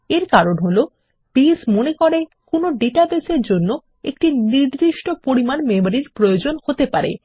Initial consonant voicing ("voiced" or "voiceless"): voiced